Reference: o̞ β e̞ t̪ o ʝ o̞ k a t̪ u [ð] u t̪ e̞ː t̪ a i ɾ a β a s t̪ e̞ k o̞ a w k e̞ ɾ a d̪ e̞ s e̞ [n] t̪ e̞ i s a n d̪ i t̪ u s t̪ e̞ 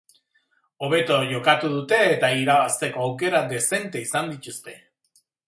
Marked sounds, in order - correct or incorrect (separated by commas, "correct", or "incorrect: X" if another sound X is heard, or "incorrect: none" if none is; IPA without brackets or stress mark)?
correct, correct